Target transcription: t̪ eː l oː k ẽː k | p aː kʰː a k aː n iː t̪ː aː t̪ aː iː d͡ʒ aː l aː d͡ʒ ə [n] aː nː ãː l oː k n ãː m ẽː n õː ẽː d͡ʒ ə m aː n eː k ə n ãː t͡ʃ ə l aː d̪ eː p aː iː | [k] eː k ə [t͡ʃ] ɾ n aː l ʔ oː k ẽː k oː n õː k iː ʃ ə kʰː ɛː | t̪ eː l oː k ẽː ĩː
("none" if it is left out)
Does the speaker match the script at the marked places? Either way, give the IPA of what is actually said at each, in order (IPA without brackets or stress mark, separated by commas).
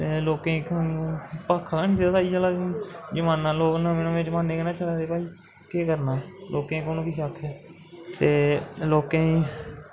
m, k, none